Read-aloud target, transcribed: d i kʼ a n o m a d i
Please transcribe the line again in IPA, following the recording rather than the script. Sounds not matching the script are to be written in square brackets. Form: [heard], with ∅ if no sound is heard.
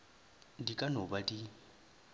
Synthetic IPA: d i kʼ a n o [b] a d i

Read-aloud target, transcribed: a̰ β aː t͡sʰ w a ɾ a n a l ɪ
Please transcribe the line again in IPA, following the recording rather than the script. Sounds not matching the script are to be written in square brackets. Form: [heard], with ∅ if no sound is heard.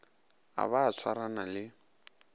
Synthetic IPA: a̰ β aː t͡sʰ w a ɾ a n a l ɪ

